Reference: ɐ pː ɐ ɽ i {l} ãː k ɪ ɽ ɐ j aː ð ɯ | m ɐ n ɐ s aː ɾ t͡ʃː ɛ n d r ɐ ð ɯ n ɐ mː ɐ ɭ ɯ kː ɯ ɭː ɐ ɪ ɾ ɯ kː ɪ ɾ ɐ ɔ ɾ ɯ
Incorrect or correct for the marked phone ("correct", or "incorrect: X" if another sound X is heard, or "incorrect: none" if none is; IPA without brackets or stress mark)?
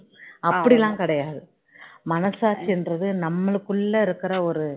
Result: correct